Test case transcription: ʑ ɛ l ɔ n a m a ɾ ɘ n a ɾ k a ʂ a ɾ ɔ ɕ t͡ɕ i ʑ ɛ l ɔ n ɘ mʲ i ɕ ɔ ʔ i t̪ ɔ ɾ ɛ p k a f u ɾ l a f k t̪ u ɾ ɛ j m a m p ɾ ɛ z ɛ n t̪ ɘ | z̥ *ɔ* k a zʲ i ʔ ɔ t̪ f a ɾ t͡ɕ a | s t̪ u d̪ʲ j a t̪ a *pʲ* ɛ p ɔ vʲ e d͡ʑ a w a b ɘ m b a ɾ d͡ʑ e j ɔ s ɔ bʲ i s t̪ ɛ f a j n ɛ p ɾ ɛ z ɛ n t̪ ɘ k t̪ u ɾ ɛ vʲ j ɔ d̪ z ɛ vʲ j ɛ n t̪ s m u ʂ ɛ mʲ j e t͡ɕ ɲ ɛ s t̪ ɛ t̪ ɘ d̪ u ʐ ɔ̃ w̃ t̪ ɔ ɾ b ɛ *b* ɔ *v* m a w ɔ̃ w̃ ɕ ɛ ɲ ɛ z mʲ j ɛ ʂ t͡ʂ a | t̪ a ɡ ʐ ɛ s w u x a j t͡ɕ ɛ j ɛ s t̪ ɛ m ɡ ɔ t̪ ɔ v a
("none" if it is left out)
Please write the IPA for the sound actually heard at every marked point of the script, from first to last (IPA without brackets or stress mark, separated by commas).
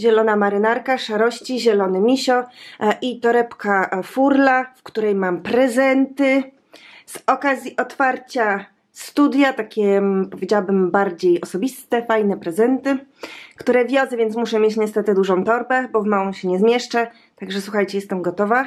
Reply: ɔ, kʲ, b, v